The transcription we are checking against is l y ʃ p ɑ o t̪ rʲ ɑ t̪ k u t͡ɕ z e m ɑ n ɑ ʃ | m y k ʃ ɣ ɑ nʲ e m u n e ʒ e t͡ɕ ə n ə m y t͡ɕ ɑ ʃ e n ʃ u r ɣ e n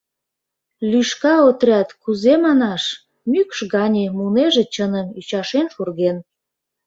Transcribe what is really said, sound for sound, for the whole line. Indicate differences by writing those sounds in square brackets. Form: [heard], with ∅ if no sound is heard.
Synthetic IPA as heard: l y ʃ [k] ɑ o t̪ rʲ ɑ t̪ k u [∅] z e m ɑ n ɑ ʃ | m y k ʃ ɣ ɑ nʲ e m u n e ʒ e t͡ɕ ə n ə m y t͡ɕ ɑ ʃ e n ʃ u r ɣ e n